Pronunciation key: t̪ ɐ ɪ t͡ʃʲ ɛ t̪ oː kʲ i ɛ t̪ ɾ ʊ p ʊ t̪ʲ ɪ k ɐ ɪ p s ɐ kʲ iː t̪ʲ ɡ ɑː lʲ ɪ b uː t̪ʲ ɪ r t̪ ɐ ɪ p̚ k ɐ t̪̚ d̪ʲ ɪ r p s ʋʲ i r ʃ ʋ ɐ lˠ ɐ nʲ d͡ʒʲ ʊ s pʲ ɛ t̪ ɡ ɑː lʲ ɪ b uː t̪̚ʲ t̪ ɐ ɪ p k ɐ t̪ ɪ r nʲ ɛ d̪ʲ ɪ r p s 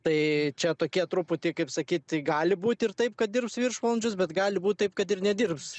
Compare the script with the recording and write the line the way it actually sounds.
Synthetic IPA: t̪ ɐ ɪ t͡ʃʲ ɛ t̪ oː kʲ i ɛ t̪ ɾ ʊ p ʊ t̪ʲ ɪ k ɐ ɪ p s ɐ kʲ iː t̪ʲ ɡ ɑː lʲ ɪ b uː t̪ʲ ɪ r t̪ ɐ ɪ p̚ k ɐ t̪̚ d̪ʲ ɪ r p s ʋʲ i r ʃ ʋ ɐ lˠ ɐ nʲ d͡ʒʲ ʊ s bʲ ɛ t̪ ɡ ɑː lʲ ɪ b uː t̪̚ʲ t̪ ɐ ɪ p k ɐ t̪ ɪ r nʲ ɛ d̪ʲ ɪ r p s